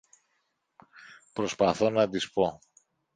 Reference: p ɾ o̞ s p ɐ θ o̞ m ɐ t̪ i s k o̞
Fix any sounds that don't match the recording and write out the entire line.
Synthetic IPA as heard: p ɾ o̞ s p ɐ θ o̞ n ɐ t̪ i s p o̞